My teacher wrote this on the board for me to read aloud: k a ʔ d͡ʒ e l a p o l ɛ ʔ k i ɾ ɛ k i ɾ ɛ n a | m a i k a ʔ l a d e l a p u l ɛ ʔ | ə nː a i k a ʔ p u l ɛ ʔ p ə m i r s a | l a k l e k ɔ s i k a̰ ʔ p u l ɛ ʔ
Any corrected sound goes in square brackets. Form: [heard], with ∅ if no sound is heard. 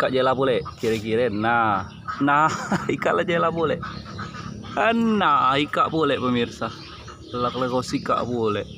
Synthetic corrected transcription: k a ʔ d͡ʒ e l a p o l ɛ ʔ k i ɾ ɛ k i ɾ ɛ n a | [n] a i k a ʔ l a [d͡ʒ] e l a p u l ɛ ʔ | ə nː a i k a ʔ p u l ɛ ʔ p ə m i r s a | l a k l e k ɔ s i k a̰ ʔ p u l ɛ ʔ